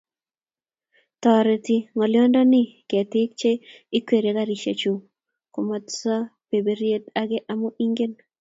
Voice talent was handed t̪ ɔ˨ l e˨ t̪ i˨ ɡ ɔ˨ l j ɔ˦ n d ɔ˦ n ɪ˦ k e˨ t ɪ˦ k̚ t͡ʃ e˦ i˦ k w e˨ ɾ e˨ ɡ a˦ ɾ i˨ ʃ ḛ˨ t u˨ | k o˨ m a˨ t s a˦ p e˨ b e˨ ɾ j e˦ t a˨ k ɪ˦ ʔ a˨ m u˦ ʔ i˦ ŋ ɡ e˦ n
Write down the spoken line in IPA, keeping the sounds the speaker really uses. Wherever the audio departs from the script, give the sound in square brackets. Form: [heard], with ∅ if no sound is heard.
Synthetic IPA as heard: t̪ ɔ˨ [ɾ] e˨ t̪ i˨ [ŋ] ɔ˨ l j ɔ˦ n d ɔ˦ n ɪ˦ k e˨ t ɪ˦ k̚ t͡ʃ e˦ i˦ k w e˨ ɾ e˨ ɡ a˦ ɾ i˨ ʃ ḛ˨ [t͡ʃ] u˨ | k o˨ m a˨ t s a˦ p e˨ b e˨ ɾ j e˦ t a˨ [ɡ] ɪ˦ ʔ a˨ m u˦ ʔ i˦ ŋ ɡ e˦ n